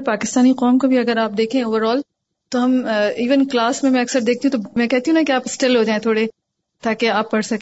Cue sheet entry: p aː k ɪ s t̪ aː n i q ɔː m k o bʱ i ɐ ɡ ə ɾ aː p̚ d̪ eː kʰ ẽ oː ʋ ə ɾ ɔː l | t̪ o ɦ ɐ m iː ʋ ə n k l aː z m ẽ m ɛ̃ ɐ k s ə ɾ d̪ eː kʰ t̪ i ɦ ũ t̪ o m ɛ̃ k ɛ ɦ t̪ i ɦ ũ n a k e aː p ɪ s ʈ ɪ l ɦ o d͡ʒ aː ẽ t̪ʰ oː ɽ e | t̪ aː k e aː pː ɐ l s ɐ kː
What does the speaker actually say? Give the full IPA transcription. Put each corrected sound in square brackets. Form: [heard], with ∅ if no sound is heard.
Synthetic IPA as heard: p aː k ɪ s t̪ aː n i q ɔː m k o bʱ i ɐ ɡ ə ɾ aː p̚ d̪ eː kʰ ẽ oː ʋ ə ɾ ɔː l | t̪ o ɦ ɐ m iː ʋ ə n k l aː [s] m ẽ m ɛ̃ ɐ k s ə ɾ d̪ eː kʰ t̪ i ɦ ũ t̪ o m ɛ̃ k ɛ ɦ t̪ i ɦ ũ n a k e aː p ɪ s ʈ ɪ l ɦ o d͡ʒ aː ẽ t̪ʰ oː ɽ e | t̪ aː k e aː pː ɐ [ɽ] s ɐ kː